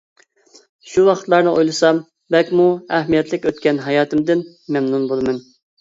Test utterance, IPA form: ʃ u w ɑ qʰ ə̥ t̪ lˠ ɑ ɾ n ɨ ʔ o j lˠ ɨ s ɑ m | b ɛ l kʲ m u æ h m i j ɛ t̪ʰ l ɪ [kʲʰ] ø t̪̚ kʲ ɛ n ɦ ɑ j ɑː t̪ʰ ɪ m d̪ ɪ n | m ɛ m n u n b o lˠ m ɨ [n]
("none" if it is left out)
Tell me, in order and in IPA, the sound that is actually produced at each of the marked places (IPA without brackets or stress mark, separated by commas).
kʲ, n